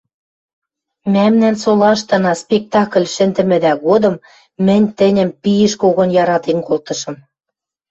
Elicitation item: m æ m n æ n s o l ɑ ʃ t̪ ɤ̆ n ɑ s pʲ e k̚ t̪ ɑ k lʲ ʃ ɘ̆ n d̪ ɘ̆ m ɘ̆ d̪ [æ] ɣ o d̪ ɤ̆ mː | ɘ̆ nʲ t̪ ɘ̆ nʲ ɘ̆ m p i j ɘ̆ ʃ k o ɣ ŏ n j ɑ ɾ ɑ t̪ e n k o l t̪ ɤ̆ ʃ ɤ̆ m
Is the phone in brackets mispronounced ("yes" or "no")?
no